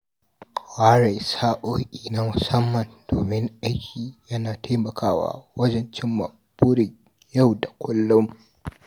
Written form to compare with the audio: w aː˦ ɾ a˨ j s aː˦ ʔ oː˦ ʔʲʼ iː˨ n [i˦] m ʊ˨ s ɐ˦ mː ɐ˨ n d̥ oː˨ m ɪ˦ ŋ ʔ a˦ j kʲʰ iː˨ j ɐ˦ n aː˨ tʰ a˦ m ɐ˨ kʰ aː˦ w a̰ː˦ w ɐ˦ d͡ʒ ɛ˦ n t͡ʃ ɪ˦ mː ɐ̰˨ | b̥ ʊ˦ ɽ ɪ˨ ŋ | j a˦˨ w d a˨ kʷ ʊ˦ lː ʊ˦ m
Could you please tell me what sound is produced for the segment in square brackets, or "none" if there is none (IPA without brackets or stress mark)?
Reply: a˦